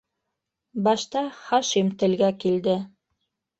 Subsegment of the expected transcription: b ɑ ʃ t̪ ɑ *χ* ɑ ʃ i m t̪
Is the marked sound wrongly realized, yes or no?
no